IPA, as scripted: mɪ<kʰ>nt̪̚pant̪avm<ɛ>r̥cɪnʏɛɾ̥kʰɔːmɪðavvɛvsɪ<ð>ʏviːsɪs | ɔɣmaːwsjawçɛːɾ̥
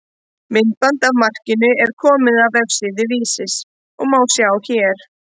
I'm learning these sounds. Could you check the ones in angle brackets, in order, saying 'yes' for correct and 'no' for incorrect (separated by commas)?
no, no, yes